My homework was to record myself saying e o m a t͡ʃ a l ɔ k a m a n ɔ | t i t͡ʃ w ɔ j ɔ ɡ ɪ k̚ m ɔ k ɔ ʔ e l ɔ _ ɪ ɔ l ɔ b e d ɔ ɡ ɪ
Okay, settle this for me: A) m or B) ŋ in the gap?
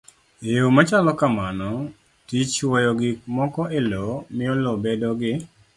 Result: A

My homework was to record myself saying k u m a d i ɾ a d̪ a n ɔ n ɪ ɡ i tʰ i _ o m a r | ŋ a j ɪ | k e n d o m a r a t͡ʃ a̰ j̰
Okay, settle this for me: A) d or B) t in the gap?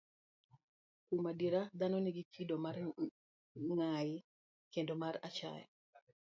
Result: A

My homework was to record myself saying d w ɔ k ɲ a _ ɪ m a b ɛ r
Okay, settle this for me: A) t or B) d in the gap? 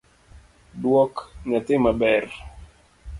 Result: A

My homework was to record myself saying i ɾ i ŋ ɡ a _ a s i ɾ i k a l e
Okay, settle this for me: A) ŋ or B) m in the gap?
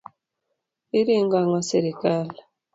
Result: A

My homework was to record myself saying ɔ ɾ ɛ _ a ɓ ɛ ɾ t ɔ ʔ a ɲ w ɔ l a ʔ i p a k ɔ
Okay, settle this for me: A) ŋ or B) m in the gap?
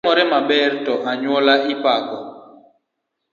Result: B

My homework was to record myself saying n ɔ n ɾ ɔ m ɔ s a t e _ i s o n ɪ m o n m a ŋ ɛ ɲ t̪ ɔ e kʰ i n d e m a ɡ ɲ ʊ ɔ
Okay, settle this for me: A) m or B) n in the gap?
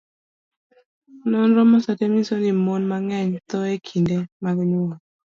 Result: A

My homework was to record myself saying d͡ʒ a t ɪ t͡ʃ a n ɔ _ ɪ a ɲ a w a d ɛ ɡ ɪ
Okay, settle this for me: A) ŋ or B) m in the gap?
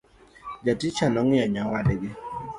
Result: A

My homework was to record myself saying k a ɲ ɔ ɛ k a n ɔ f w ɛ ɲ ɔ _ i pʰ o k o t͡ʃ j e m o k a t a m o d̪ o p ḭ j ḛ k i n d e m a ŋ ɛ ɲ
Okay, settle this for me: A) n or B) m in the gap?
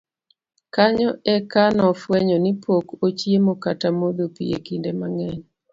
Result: A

